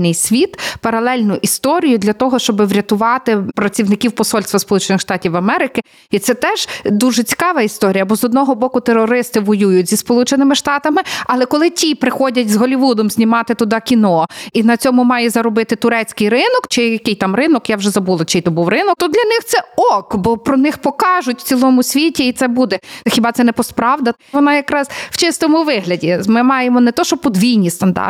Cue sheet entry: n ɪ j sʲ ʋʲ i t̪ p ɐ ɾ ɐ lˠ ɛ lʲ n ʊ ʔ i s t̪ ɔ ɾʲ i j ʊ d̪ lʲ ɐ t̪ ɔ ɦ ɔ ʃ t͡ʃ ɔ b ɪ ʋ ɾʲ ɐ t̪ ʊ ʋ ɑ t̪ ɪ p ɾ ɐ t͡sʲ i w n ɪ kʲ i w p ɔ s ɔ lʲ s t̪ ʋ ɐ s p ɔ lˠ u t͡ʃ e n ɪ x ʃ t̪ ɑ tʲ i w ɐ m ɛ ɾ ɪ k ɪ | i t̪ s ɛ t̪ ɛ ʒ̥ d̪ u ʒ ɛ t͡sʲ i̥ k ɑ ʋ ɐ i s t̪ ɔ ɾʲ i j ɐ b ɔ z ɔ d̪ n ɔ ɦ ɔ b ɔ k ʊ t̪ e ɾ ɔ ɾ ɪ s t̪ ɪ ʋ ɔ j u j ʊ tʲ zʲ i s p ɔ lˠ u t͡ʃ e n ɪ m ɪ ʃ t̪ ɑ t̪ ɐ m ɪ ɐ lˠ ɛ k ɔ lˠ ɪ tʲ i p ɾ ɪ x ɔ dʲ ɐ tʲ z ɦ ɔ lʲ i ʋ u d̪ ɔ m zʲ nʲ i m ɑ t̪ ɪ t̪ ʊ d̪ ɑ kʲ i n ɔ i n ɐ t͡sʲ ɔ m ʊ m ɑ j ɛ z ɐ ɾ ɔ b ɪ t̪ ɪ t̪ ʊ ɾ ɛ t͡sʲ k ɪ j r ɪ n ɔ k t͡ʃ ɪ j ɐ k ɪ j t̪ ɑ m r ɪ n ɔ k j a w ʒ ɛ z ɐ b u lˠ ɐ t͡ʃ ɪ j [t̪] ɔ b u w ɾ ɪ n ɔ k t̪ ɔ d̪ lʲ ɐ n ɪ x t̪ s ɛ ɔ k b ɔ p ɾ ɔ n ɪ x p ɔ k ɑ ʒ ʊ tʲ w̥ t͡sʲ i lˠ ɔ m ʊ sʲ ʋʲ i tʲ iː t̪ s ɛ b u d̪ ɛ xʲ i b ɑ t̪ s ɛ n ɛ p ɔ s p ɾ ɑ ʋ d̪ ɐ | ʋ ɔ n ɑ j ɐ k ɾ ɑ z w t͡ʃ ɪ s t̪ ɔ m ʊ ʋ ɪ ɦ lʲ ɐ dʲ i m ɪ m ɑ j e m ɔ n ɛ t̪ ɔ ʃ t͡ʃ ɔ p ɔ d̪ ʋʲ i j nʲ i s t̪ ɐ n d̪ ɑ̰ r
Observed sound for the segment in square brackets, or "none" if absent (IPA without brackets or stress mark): t̪